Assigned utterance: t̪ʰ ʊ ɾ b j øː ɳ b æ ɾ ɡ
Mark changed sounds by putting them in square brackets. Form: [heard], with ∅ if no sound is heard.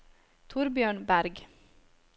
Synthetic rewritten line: t̪ʰ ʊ ɾ b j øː ɳ b æ ɾ ɡ